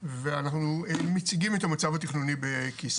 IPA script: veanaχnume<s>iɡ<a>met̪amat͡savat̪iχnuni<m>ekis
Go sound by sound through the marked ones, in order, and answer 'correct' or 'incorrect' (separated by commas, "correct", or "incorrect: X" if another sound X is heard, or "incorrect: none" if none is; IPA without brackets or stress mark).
incorrect: t͡s, incorrect: i, incorrect: b